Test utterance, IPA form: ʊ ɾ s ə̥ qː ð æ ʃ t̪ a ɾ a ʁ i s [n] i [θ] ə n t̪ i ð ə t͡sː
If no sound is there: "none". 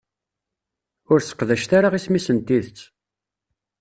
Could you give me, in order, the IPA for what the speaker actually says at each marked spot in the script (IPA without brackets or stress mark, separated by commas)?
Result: m, s